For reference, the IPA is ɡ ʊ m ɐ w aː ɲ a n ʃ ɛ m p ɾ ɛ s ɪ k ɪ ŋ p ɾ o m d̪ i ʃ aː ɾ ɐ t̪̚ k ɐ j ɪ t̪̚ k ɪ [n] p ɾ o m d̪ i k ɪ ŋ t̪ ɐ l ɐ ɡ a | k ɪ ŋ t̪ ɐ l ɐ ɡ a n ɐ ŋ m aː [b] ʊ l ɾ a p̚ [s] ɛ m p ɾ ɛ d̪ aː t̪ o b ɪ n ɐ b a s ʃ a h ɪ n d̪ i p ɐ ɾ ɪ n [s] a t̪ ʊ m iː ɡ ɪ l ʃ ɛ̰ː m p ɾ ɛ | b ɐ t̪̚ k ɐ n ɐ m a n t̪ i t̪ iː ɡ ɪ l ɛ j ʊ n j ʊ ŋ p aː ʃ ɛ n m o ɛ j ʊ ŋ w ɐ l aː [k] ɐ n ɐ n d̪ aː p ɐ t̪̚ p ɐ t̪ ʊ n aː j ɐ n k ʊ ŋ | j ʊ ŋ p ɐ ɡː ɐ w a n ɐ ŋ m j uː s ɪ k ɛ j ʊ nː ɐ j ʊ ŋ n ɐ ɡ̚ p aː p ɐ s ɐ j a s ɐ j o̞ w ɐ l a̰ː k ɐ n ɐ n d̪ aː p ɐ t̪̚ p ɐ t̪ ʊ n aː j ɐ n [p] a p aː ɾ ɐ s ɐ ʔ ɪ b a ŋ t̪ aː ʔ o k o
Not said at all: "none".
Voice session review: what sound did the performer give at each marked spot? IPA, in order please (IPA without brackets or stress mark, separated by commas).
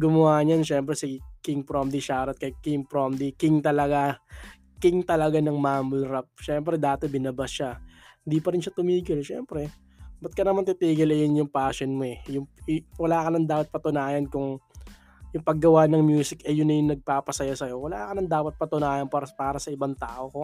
ŋ, m, ʃ, ʃ, k, p